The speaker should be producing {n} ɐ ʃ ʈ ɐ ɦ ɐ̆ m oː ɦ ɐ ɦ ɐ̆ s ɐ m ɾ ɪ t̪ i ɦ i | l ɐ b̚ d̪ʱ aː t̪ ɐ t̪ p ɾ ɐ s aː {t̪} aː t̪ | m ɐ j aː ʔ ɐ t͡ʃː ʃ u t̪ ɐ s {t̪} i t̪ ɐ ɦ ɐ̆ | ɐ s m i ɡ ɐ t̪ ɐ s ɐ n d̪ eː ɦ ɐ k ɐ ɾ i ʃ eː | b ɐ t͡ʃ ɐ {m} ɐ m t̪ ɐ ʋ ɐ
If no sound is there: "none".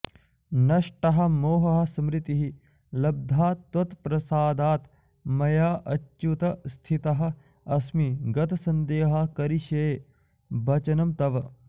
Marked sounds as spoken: n, d̪, t̪ʰ, n

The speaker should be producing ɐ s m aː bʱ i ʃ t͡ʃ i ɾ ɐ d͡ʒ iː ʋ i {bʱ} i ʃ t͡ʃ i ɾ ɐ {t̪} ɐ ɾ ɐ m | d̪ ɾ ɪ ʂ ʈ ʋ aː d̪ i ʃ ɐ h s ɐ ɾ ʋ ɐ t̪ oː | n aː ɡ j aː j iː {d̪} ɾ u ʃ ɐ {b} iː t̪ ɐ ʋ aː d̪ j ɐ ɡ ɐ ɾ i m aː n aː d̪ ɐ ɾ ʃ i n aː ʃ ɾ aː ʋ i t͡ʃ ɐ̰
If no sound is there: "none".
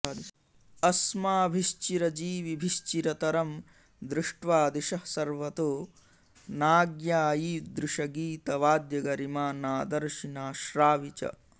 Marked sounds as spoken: bʱ, t̪, d̪, ɡ

